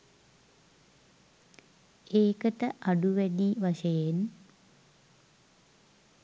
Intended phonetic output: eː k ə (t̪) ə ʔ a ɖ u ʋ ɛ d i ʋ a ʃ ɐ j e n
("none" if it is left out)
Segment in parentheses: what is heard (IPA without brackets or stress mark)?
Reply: t̪